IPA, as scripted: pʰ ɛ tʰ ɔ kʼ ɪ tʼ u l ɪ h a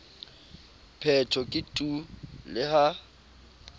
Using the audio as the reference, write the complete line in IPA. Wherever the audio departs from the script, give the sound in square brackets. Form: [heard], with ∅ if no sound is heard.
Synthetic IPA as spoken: pʰ ɛ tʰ ɔ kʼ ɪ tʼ u l ɪ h a